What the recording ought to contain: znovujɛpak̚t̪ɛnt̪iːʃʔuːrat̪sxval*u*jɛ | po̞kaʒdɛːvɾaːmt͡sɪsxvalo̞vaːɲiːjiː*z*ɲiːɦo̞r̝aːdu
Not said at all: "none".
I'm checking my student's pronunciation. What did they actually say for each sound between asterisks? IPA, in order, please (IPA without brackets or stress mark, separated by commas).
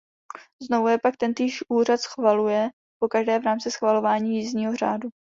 u, z